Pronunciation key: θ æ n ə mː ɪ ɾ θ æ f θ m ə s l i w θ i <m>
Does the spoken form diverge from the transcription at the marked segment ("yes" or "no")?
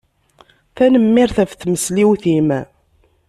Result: no